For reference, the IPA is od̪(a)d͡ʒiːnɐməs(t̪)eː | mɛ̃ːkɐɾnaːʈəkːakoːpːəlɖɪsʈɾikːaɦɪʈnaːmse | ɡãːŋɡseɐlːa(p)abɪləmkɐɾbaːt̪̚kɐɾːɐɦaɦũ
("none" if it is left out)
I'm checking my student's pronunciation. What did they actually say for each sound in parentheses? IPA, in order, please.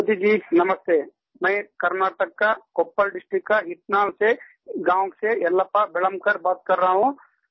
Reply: i, t̪, p

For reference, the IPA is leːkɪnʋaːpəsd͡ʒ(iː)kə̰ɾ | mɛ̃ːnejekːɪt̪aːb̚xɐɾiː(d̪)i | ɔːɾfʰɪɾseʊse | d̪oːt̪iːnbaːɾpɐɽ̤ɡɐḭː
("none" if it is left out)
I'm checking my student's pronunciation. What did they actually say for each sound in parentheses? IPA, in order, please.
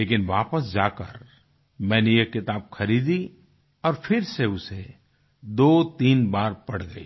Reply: aː, d̪

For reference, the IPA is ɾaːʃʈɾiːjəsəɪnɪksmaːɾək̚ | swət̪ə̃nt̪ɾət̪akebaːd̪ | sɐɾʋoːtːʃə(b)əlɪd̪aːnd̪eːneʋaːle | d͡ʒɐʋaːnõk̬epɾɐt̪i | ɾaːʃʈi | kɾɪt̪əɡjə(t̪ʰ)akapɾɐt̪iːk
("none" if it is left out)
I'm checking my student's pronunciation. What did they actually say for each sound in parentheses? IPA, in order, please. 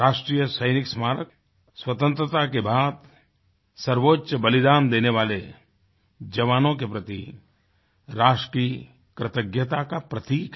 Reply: b, t̪

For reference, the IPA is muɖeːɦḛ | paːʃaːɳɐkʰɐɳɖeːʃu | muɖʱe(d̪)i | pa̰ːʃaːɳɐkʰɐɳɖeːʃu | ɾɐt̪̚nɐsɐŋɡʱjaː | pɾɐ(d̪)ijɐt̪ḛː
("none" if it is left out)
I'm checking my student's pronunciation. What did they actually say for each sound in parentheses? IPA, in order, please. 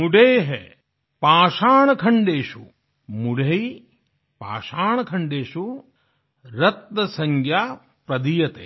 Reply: none, d̪

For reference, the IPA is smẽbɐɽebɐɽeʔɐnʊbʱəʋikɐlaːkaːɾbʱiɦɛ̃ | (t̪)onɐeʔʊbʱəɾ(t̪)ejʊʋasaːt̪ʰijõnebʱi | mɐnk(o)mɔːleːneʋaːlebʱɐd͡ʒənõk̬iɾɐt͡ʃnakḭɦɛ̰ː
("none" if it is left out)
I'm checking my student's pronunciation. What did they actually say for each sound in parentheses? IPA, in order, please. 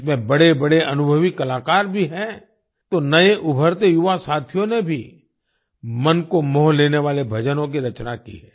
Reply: t̪, t̪, o

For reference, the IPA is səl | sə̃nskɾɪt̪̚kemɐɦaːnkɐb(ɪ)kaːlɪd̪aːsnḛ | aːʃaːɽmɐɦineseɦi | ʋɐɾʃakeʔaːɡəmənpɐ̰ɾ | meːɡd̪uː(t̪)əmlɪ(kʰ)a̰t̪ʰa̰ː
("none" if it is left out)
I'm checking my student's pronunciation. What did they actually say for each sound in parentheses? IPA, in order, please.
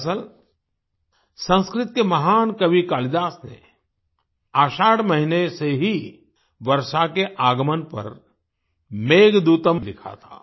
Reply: i, t̪, kʰ

